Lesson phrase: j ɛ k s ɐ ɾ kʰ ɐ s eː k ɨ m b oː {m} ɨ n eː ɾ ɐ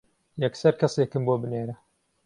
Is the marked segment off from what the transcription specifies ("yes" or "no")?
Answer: yes